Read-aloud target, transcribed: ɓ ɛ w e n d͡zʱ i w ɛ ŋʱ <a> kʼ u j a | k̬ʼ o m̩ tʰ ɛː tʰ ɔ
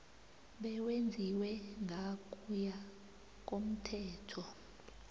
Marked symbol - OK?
yes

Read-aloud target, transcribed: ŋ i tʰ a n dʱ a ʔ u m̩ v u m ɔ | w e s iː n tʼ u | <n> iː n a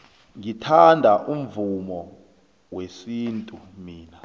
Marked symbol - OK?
no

